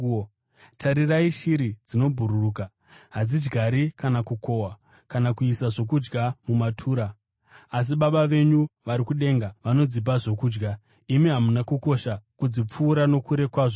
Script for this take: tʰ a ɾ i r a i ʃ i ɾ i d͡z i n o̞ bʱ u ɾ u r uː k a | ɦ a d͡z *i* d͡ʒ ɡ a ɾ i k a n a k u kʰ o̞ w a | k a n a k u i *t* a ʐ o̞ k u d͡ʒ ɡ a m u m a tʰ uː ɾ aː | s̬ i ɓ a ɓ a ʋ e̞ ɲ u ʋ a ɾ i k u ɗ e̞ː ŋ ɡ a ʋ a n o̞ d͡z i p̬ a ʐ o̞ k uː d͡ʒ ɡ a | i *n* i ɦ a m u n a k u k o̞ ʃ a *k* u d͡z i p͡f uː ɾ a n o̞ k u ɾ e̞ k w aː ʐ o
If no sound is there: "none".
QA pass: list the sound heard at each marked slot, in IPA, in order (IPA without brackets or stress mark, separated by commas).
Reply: i, s, m, k